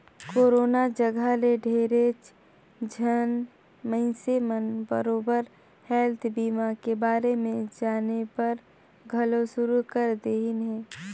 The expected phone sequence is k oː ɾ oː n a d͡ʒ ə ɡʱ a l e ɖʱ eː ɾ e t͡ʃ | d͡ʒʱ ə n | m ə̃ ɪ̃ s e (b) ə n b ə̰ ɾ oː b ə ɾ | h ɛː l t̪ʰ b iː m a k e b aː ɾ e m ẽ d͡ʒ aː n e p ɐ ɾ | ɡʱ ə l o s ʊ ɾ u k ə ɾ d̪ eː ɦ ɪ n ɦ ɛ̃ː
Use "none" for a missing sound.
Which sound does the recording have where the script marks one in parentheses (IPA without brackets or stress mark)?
m